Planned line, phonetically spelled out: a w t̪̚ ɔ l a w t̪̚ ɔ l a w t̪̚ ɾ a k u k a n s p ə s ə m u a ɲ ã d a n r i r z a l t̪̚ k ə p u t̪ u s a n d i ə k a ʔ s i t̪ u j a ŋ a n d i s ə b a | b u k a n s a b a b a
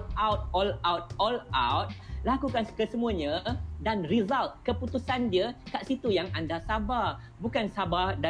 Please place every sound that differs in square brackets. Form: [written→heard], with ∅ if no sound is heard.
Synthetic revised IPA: a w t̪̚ ɔ l a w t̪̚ ɔ l a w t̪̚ [ɾ→l] a k u k a n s [p→k] ə s ə m u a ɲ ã d a n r i [r→∅] z a l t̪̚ k ə p u t̪ u s a n d i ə k a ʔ s i t̪ u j a ŋ a n d [i→a] s [ə→a] b a | b u k a n s a b a [b→d] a